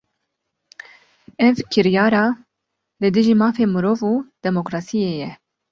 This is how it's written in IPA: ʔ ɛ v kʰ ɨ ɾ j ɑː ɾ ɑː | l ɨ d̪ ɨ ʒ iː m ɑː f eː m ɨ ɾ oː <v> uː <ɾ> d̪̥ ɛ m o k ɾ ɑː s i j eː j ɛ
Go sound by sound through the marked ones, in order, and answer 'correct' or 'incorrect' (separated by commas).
correct, incorrect